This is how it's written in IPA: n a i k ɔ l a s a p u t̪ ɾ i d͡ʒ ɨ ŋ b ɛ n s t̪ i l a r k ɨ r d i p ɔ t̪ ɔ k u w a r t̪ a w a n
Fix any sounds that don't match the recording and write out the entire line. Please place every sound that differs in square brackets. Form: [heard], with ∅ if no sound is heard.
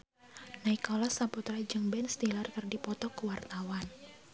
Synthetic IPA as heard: n a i k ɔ l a s a p u t̪ ɾ [a] d͡ʒ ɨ ŋ b ɛ n s t̪ i l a r k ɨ r d i p ɔ t̪ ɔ k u w a r t̪ a w a n

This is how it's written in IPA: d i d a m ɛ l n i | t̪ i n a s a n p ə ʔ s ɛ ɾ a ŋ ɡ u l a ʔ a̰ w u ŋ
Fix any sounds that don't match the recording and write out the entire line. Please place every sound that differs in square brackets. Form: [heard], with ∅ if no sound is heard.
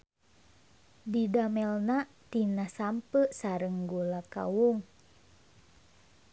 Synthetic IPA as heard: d i d a m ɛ l n [a] | t̪ i n a s a [m] p ə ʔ s [a] ɾ [ə] ŋ ɡ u l a [k] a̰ w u ŋ

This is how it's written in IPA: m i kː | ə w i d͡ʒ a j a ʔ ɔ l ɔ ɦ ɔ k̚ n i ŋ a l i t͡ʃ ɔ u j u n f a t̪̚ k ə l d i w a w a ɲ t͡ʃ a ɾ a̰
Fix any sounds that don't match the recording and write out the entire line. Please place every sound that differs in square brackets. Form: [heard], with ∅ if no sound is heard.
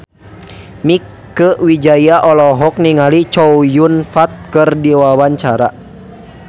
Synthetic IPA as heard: m i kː | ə w i d͡ʒ a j a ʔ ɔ l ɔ ɦ ɔ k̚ n i ŋ a l i t͡ʃ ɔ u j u n f a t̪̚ k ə [r] d i w a w a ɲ t͡ʃ a ɾ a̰

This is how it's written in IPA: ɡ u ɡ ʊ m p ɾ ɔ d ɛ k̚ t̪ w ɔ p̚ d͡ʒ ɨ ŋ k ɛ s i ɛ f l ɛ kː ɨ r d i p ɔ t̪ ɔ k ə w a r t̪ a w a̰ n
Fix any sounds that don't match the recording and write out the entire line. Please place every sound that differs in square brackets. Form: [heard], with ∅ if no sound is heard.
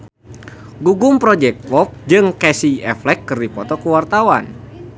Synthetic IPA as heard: ɡ u ɡ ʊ m p ɾ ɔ [d͡ʒ] ɛ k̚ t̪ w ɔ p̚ d͡ʒ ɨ ŋ k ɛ s i ɛ f l ɛ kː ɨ r d i p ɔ t̪ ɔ k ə w a r t̪ a w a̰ n

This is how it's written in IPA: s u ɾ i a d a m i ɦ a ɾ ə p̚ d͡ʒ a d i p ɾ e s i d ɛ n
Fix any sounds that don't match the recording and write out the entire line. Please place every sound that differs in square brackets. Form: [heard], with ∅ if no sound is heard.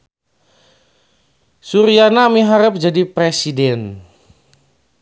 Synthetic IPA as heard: s u ɾ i a [n] a m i ɦ a ɾ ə p̚ d͡ʒ a d i p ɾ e s i d ɛ n

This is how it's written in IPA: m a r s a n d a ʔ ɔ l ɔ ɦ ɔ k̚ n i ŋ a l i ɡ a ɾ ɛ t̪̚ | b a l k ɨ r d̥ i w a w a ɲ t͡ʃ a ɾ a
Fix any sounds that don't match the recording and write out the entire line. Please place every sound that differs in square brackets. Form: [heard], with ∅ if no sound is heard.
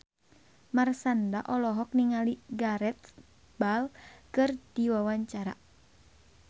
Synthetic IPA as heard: m a r s a n d a ʔ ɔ l ɔ ɦ ɔ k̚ n i ŋ a l i ɡ a ɾ ɛ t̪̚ | b a l k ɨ r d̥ i w a w a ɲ t͡ʃ a ɾ a

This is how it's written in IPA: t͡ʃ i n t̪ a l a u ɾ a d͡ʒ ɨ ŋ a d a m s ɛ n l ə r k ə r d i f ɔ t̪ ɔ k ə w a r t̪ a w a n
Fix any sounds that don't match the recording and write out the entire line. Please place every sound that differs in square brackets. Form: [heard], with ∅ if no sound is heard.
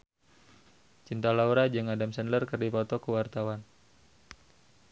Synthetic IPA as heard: t͡ʃ i n t̪ a l a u ɾ a d͡ʒ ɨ ŋ a d a m s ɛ n l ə r k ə r d i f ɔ t̪ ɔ k ə w a r t̪ a w a n

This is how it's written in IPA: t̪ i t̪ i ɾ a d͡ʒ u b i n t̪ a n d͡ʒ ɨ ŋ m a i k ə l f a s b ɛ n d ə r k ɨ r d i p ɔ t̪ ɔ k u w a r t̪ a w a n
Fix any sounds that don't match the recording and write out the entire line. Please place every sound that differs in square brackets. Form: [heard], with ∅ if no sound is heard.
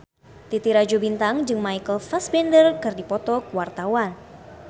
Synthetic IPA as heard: t̪ i t̪ i ɾ a d͡ʒ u b i n t̪ a [ŋ] d͡ʒ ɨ ŋ m a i k ə l f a s b ɛ n d ə r k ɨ r d i p ɔ t̪ ɔ k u w a r t̪ a w a n

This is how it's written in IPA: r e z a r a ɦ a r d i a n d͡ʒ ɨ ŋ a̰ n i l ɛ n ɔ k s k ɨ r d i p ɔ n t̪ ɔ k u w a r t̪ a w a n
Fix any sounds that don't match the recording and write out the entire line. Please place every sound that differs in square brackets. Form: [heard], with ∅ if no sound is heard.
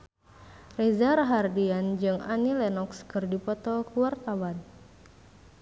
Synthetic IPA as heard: r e z a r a ɦ a r d i a n d͡ʒ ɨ ŋ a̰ n i l ɛ n ɔ k s k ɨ r d i p ɔ [∅] t̪ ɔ k u w a r t̪ a w a n

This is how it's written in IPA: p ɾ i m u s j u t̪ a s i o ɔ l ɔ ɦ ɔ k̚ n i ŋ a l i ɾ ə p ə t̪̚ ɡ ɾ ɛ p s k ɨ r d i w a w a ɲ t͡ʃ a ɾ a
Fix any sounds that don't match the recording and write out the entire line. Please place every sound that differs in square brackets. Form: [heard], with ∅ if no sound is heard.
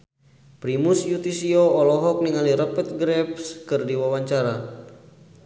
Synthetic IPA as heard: p ɾ i m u s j u t̪ [i] s i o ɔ l ɔ ɦ ɔ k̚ n i ŋ a l i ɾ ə p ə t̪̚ ɡ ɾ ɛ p s k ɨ r d i w a w a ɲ t͡ʃ a ɾ a

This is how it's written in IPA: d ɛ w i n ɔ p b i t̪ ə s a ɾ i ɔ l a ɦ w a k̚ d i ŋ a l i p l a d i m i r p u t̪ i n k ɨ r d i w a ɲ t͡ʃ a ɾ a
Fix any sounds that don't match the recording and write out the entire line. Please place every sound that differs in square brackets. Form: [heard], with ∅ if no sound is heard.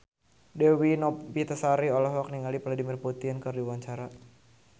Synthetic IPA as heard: d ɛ w i n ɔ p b i t̪ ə s a ɾ i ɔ l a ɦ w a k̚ [n] i ŋ a l i p l a d i m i r p u t̪ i n k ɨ r d i w a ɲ t͡ʃ a ɾ a

